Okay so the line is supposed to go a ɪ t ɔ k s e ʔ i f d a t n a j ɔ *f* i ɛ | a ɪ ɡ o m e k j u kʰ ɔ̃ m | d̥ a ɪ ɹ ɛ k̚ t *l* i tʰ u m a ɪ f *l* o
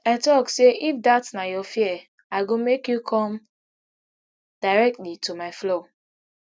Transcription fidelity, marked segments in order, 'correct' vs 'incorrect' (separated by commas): correct, correct, correct